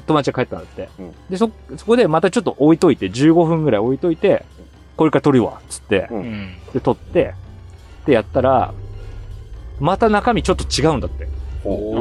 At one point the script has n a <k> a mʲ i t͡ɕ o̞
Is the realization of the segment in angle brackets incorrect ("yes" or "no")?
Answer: no